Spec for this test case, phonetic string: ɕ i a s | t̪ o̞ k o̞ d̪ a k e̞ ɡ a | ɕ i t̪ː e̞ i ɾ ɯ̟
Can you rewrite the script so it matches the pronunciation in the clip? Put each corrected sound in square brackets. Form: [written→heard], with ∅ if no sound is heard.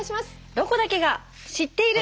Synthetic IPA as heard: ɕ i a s | [t̪→d̪] o̞ k o̞ d̪ a k e̞ ɡ a | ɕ i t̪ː e̞ i ɾ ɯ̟